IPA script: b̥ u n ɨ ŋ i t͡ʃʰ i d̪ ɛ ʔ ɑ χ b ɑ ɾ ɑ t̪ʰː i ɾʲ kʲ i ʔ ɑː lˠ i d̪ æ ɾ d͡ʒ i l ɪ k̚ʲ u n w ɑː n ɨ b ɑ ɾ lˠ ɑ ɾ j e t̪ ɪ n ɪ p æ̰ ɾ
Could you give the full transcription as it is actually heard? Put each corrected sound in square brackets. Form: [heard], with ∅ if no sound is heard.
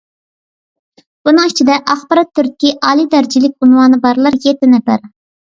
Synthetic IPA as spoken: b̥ u n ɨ ŋ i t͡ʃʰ i d̪ ɛ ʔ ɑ χ b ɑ ɾ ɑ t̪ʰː [y] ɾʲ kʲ i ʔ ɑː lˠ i d̪ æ ɾ d͡ʒ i l ɪ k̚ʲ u n w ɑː n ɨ b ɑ ɾ lˠ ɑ ɾ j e t̪ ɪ n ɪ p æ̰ ɾ